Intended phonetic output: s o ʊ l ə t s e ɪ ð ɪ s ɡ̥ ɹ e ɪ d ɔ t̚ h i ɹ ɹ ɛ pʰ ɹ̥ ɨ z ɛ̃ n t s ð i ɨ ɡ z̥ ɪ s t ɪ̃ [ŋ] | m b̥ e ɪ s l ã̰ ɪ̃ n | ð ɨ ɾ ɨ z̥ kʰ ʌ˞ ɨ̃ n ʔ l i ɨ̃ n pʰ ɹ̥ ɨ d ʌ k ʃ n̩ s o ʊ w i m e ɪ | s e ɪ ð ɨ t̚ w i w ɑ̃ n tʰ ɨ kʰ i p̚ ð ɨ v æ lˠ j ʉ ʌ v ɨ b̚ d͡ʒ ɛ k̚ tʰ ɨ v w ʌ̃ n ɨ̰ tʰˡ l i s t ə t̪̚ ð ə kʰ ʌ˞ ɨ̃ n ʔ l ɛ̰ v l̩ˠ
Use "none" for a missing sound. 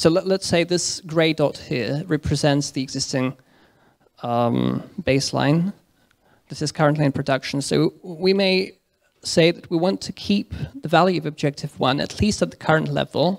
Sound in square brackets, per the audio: ŋ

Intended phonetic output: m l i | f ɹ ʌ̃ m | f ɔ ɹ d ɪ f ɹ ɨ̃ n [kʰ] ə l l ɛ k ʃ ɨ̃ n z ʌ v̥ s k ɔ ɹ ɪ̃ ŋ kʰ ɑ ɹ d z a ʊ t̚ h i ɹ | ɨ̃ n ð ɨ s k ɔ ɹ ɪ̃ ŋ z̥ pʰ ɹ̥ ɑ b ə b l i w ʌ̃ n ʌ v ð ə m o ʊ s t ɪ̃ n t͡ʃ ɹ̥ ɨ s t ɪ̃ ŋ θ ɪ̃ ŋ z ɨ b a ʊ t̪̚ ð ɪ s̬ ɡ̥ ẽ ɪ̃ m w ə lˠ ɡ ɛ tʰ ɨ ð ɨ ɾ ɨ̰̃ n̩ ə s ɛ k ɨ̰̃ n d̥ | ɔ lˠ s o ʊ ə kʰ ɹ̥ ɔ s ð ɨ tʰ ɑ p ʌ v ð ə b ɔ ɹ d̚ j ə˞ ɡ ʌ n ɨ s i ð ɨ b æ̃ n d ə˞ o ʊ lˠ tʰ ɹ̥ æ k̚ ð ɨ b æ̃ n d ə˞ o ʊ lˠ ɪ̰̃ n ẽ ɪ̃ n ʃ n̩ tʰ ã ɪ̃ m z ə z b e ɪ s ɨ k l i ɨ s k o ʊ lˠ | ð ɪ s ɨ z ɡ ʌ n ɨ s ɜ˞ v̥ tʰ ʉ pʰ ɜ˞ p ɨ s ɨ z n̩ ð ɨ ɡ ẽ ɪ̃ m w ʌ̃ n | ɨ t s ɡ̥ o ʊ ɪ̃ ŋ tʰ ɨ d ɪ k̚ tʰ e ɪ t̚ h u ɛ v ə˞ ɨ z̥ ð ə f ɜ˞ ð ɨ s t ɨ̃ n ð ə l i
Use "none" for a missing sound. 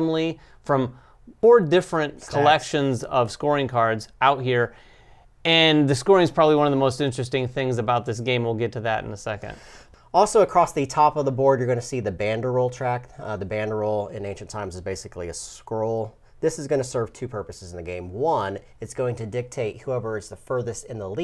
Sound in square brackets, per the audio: kʰ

